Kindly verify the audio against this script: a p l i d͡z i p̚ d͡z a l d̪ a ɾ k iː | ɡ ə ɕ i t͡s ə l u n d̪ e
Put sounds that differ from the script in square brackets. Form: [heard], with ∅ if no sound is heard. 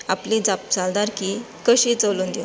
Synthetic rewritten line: a p l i d͡z [a] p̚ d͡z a l d̪ a ɾ k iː | [k] ə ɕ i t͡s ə l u n d̪ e

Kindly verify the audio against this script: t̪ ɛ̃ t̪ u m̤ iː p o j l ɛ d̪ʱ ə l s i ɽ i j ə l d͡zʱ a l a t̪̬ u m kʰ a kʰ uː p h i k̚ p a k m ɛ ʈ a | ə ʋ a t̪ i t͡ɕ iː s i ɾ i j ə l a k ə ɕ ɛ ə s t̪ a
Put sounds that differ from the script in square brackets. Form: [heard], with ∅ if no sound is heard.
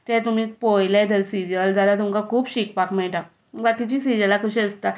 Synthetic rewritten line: t̪ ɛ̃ t̪ u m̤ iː p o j l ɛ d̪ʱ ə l s i [ɾ] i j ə l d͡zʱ a l a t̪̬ u m [k] a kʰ uː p [ɕ] i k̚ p a k m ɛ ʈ a | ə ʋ a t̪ i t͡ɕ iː s i ɾ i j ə l a k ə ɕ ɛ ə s t̪ a

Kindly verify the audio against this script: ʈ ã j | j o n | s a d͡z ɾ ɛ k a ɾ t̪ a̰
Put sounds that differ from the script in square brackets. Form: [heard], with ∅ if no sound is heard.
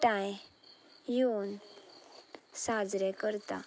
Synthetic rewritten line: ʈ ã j | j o n | s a d͡z ɾ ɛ k [ə] ɾ t̪ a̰

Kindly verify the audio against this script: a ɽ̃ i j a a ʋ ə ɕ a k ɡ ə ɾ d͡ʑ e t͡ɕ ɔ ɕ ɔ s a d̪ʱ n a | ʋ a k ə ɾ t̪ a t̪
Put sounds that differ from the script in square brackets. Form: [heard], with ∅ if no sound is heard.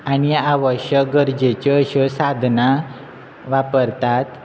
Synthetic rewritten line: a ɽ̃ i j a a ʋ ə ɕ [ə] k ɡ ə ɾ d͡ʑ e t͡ɕ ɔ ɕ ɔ s a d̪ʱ n a | ʋ a [p] ə ɾ t̪ a t̪

